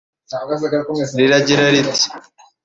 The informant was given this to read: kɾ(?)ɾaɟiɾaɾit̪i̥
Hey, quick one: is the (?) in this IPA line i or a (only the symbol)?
i